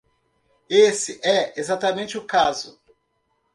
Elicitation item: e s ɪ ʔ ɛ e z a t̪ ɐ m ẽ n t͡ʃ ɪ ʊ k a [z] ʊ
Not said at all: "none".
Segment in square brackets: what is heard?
z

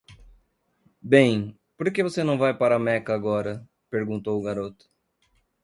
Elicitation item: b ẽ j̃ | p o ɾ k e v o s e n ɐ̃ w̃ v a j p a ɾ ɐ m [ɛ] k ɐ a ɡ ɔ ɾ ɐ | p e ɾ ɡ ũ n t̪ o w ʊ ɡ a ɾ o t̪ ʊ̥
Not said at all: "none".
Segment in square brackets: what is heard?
ɛ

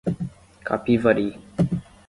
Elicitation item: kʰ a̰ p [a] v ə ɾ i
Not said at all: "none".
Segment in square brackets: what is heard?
i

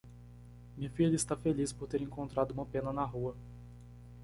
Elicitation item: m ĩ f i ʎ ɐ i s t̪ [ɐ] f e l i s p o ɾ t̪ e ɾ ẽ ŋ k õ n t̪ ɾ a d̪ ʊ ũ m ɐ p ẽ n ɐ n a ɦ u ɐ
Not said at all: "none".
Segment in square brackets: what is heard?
a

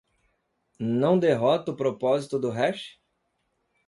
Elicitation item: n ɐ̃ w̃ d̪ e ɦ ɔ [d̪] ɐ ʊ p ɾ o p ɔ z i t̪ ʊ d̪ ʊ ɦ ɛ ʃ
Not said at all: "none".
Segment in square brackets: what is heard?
t̪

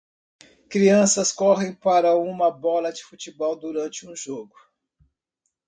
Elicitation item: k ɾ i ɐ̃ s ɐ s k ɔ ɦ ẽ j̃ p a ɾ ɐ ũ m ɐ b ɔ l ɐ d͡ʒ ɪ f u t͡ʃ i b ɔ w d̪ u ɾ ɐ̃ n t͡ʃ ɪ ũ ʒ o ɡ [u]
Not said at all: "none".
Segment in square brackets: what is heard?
ʊ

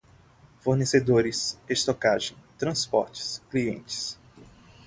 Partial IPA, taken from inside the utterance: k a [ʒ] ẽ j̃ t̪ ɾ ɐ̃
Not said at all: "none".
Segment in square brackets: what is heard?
ʒ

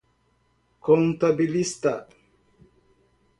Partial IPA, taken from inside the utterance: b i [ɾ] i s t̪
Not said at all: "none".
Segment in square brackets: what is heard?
l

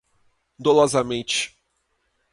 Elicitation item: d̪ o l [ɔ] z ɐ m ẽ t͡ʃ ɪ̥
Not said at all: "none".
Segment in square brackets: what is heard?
ɔ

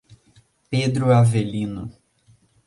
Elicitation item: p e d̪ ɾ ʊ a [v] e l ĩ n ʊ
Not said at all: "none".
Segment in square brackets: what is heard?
v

